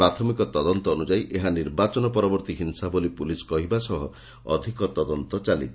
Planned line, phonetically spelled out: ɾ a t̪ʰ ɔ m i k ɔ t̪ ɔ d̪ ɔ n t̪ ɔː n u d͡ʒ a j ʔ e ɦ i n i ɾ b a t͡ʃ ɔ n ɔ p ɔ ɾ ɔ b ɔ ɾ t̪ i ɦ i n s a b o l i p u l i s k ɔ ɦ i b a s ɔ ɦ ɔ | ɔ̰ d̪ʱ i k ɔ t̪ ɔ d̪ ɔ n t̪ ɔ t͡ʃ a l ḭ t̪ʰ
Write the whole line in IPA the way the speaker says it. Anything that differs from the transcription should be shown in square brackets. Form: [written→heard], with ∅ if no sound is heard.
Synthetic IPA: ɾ a t̪ʰ ɔ m i k ɔ t̪ ɔ d̪ ɔ n t̪ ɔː n u d͡ʒ a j ʔ e ɦ [i→a] n i ɾ b a t͡ʃ ɔ n ɔ p ɔ ɾ ɔ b ɔ ɾ t̪ i ɦ i n s a b o l i p u l i s k ɔ ɦ i b a s ɔ ɦ ɔ | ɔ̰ d̪ʱ i k ɔ t̪ ɔ d̪ ɔ n t̪ ɔ t͡ʃ a l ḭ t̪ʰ